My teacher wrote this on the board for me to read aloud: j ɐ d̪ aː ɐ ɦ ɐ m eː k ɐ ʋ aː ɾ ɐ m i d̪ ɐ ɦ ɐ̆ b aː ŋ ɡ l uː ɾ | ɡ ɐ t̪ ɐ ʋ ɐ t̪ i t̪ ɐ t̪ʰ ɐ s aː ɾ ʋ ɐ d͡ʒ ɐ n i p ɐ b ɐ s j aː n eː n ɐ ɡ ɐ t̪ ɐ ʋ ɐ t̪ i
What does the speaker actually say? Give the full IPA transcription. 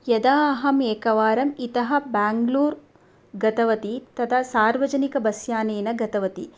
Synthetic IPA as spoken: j ɐ d̪ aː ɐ ɦ ɐ m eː k ɐ ʋ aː ɾ ɐ m i t̪ ɐ ɦ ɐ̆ b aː ŋ ɡ l uː ɾ | ɡ ɐ t̪ ɐ ʋ ɐ t̪ i t̪ ɐ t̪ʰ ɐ s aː ɾ ʋ ɐ d͡ʒ ɐ n i k ɐ b ɐ s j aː n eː n ɐ ɡ ɐ t̪ ɐ ʋ ɐ t̪ i